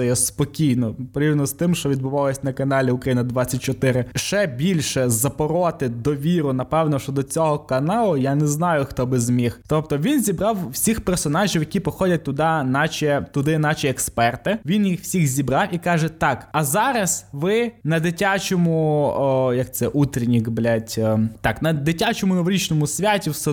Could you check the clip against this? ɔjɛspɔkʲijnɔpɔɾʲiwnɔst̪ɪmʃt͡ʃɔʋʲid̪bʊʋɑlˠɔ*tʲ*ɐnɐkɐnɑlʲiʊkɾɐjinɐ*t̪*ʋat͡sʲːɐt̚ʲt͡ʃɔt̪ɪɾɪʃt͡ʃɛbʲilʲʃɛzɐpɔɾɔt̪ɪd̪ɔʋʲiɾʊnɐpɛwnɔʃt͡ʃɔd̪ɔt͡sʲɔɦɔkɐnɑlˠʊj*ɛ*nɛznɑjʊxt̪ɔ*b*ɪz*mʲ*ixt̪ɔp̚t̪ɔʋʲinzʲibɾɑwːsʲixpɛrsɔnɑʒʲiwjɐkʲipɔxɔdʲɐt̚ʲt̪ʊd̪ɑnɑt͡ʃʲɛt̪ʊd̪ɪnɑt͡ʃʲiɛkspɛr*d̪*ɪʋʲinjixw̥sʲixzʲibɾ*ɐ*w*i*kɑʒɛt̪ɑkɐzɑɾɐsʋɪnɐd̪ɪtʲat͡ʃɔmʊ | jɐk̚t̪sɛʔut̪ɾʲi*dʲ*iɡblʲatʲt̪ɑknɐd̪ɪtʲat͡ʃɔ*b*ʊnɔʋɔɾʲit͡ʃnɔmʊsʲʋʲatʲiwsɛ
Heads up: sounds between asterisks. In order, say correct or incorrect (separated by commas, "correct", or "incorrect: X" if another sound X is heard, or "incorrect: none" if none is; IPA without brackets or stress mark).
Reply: incorrect: sʲ, incorrect: d̪, incorrect: a, correct, correct, incorrect: t̪, incorrect: ɑ, correct, incorrect: nʲ, incorrect: m